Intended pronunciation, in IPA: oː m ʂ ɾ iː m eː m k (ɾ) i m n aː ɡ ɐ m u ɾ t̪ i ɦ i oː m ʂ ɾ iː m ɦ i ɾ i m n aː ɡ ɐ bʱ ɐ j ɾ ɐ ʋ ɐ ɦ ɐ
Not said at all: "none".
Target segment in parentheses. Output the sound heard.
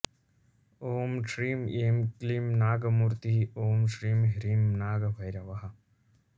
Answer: l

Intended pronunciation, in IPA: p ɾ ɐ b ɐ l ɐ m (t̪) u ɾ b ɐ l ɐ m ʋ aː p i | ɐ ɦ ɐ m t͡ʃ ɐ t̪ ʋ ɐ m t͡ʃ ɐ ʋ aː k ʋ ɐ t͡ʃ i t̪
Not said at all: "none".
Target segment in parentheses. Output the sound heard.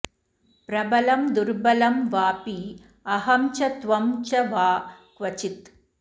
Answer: d̪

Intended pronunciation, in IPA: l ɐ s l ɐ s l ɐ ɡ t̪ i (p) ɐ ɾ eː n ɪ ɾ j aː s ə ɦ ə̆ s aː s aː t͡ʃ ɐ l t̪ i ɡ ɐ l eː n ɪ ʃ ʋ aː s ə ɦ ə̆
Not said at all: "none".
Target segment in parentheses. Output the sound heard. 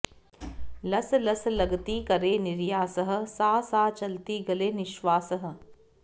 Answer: k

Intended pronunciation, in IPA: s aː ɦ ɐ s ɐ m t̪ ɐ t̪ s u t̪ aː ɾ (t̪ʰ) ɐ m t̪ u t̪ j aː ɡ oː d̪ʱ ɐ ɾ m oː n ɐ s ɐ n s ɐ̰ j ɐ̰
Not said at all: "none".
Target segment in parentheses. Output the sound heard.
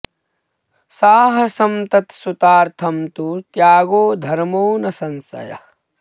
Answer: t̪ʰ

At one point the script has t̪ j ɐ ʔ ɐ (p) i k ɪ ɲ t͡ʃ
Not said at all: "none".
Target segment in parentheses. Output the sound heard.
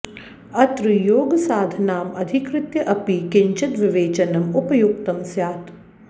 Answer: p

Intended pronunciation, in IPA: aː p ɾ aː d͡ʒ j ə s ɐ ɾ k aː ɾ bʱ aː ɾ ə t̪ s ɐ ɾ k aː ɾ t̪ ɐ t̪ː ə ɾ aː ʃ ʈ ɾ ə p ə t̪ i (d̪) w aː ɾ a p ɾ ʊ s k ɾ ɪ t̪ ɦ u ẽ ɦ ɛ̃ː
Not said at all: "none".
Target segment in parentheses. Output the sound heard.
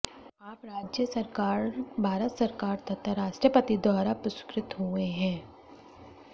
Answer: d̪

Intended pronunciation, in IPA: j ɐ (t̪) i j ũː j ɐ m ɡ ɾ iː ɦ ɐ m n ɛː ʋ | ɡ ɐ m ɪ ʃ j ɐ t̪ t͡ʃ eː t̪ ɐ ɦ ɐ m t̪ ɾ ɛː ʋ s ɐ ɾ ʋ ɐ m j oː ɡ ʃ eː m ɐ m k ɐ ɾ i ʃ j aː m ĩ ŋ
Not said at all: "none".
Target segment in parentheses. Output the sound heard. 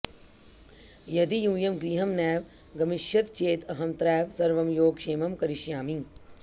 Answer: d̪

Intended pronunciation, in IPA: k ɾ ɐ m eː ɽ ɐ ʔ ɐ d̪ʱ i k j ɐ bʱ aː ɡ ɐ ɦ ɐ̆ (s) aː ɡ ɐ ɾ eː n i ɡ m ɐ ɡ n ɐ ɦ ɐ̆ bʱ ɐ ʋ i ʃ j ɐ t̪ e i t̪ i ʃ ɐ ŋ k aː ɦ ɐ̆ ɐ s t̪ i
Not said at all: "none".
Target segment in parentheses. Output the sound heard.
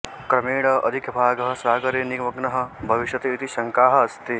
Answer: s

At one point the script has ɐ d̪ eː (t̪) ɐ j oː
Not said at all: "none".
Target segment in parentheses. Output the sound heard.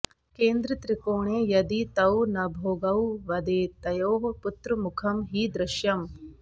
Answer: t̪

